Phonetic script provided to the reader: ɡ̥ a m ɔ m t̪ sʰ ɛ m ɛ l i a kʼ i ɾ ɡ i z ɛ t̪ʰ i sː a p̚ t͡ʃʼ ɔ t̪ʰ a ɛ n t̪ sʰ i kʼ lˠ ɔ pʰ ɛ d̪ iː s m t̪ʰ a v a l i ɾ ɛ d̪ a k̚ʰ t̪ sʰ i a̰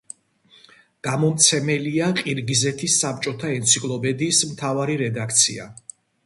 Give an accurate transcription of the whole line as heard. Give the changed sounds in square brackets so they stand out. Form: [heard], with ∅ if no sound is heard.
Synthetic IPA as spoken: ɡ̥ a m ɔ m t̪ sʰ ɛ m ɛ l i a [qʼ] i ɾ ɡ i z ɛ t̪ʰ i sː a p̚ t͡ʃʼ ɔ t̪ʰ a ɛ n t̪ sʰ i kʼ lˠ ɔ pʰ ɛ d̪ iː s m t̪ʰ a v a [ɾ] i ɾ ɛ d̪ a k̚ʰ t̪ sʰ i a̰